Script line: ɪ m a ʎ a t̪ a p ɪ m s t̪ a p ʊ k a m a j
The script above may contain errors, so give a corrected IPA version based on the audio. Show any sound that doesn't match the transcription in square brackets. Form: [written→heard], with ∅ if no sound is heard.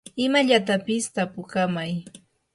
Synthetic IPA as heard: ɪ m a ʎ a t̪ a p ɪ [m→∅] s t̪ a p ʊ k a m a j